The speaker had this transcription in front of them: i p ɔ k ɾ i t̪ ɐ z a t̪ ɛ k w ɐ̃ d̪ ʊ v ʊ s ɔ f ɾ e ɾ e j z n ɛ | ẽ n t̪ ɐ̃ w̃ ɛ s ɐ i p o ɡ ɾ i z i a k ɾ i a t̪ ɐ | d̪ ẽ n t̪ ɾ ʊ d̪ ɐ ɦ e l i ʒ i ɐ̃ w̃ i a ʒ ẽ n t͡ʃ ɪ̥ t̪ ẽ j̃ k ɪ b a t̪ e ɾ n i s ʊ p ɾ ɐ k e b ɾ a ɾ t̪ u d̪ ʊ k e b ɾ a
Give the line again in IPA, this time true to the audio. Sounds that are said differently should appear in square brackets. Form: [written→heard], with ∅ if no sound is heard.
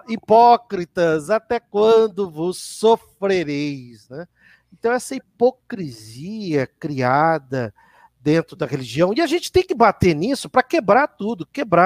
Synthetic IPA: i p ɔ k ɾ i t̪ ɐ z a t̪ ɛ k w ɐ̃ d̪ ʊ v ʊ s [ɔ→o] f ɾ e ɾ e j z n ɛ | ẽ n t̪ ɐ̃ w̃ ɛ s ɐ i p o [ɡ→k] ɾ i z i [a→ɐ] k ɾ i a [t̪→d̪] ɐ | d̪ ẽ n t̪ ɾ ʊ d̪ ɐ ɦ e l i ʒ i ɐ̃ w̃ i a ʒ ẽ n t͡ʃ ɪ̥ t̪ ẽ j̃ k ɪ b a t̪ e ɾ n i s ʊ p ɾ ɐ k e b ɾ a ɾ t̪ u d̪ ʊ k e b ɾ a